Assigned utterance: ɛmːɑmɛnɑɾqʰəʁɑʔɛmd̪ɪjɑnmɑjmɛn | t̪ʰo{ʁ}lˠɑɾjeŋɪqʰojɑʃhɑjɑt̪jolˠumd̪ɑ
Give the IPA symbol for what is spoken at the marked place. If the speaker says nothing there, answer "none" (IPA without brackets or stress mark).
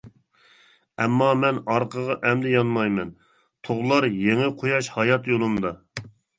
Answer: ʁ